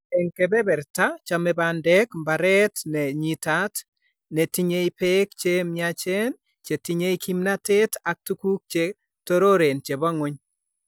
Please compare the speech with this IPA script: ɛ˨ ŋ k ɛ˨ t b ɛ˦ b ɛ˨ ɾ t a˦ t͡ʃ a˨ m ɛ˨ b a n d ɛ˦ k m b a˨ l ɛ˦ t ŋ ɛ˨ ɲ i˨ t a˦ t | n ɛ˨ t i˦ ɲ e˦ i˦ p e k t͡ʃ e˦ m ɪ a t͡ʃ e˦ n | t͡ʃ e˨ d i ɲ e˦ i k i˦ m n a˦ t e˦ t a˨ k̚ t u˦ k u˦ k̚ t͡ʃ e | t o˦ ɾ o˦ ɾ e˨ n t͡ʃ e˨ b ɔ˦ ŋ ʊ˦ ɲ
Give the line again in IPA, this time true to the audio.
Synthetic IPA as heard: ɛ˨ ŋ k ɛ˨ b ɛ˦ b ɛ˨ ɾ t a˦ t͡ʃ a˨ m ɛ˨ b a n d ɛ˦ k m b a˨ ɾ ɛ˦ t n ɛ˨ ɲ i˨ t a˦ t | n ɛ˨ t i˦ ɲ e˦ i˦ p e k t͡ʃ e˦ m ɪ a t͡ʃ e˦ n | t͡ʃ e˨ t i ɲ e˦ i k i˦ m n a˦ t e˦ t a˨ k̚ t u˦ k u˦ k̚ t͡ʃ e | t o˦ ɾ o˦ ɾ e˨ n t͡ʃ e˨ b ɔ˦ ŋ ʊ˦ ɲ